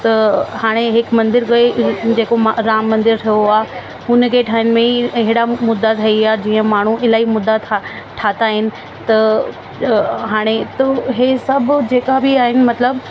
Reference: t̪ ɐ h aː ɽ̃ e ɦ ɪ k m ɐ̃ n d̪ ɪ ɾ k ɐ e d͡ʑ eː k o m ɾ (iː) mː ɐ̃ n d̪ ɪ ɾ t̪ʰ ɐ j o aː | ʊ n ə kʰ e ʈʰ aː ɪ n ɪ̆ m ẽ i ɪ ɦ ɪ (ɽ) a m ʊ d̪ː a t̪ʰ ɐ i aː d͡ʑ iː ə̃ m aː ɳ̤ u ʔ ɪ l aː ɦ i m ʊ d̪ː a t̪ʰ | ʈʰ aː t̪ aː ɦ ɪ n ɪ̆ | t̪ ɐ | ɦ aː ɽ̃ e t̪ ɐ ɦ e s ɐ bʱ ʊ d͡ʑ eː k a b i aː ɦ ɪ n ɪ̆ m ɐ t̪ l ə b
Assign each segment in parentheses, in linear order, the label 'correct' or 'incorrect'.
incorrect, correct

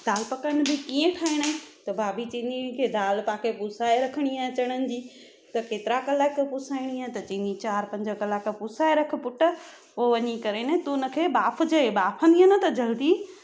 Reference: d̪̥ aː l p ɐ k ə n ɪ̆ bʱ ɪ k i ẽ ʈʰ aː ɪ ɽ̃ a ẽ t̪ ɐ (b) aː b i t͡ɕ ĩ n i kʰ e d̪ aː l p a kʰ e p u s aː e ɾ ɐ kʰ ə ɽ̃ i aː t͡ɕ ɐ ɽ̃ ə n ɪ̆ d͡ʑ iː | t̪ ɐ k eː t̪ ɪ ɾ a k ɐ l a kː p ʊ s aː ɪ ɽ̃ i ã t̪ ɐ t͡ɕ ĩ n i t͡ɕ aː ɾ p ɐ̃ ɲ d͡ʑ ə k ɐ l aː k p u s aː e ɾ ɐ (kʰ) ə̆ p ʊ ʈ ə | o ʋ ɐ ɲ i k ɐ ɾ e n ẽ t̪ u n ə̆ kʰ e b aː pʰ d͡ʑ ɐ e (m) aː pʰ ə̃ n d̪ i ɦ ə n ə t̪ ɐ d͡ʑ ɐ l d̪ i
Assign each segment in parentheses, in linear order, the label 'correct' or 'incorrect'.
correct, correct, incorrect

